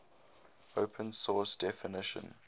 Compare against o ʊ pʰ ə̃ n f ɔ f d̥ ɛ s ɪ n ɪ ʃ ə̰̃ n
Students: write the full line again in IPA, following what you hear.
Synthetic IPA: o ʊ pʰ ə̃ n s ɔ s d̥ ɛ f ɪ n ɪ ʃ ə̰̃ n